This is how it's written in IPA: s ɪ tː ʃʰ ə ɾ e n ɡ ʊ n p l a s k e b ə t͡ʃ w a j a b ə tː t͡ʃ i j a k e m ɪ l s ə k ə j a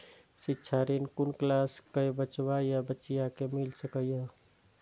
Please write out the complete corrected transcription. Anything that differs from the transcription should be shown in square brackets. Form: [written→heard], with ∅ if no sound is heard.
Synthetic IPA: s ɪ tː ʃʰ [ə→a] ɾ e n [ɡ→k] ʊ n [p→k] l a s k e b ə t͡ʃ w a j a b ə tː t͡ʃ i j a k e m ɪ l s ə k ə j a